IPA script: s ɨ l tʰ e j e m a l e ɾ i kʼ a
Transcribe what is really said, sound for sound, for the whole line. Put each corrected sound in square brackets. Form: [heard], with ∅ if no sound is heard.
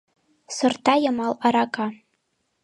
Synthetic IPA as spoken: s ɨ [r] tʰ [a] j [a] m a l [a] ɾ [a] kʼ a